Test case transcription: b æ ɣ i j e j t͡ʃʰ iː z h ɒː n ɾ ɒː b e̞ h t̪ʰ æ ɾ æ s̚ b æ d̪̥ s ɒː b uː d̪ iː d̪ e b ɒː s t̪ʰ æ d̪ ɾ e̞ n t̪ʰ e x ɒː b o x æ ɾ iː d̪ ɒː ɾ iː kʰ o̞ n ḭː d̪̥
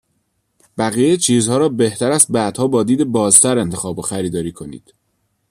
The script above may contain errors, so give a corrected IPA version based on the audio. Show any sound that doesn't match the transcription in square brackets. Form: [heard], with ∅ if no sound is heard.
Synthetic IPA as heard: b æ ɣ i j e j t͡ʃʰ iː z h ɒː [∅] ɾ ɒː b e̞ h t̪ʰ æ ɾ æ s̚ b æ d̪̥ [h] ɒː b [ɒː] d̪ iː d̪ e b ɒː [z] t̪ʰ æ [∅] ɾ e̞ n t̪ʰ e x ɒː b o x æ ɾ iː d̪ ɒː ɾ iː kʰ o̞ n ḭː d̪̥